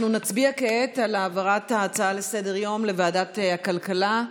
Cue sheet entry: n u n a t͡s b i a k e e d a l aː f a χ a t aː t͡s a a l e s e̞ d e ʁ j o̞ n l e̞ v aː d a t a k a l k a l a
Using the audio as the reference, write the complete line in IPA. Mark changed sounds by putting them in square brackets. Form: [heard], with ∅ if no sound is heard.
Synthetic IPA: n u n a t͡s b i a k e e [t] a l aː [v] a [ʁ] a t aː t͡s a a l e s e̞ d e ʁ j o̞ [m] l e̞ v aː d a t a k a l k a l a